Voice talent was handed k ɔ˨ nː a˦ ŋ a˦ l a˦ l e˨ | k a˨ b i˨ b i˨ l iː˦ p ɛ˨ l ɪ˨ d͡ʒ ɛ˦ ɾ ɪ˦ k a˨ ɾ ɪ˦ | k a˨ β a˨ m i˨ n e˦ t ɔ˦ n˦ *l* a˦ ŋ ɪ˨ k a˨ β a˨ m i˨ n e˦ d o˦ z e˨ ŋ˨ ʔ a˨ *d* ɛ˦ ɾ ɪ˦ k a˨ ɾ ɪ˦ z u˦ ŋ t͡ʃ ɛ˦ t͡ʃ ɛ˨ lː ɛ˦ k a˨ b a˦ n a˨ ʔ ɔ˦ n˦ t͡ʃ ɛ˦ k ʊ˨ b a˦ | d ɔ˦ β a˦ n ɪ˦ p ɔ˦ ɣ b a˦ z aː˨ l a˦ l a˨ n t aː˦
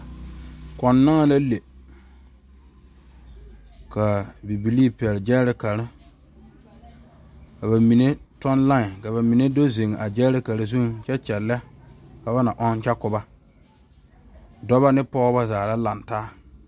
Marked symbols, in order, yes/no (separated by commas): yes, no